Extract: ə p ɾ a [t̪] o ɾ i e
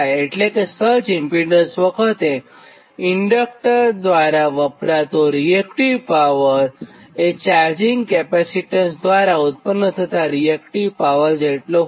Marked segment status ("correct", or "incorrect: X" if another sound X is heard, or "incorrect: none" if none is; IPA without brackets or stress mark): correct